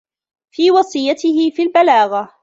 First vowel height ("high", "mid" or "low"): high